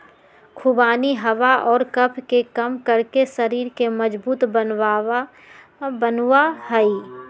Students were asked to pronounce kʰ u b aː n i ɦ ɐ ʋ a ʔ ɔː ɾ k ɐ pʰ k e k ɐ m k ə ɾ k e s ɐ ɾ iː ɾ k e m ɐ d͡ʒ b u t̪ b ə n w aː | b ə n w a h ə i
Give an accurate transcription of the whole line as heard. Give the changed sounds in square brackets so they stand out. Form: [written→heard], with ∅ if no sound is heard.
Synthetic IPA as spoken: kʰ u b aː n i ɦ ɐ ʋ a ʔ ɔː ɾ k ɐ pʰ k e k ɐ m k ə ɾ k e s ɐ ɾ iː ɾ k e m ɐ d͡ʒ b [u→uː] t̪ b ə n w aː | b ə n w a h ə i